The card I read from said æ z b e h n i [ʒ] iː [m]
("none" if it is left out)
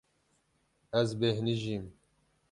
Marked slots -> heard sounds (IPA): ʒ, m

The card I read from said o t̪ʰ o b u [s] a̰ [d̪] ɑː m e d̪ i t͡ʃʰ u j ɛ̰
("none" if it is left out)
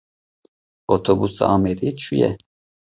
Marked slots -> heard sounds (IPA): s, none

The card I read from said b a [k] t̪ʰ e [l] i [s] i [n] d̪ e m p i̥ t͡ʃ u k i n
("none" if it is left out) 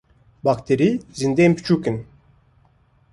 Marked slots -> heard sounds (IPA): k, ɾ, z, n

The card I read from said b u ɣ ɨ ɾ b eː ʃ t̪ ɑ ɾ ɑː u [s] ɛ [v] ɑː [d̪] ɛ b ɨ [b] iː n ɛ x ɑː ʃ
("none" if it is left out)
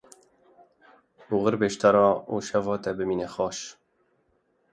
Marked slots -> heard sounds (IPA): ʃ, v, t̪, m

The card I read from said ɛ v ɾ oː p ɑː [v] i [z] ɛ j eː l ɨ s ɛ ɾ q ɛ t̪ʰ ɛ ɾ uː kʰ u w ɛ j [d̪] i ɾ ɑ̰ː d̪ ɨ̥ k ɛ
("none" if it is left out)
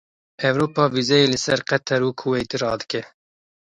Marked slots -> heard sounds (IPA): v, z, t̪

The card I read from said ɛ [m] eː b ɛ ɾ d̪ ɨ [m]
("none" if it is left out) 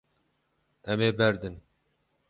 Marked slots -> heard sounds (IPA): m, n

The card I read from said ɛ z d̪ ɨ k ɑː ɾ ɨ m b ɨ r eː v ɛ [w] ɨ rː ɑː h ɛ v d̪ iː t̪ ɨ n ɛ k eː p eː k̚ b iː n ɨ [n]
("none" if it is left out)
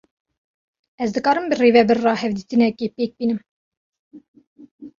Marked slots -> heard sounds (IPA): b, m

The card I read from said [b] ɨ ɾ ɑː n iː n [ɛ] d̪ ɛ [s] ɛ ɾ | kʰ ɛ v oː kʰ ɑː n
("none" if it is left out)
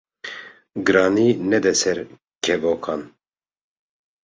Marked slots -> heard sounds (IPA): ɡ, ɛ, s

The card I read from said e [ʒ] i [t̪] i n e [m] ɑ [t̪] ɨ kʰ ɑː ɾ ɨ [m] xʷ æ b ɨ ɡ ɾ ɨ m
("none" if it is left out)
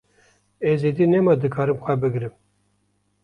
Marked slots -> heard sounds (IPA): z, d̪, m, d̪, m

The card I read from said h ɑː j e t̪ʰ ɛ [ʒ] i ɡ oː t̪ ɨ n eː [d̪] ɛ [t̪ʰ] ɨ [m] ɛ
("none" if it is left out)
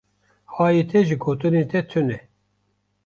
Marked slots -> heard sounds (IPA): ʒ, t̪, t̪ʰ, n

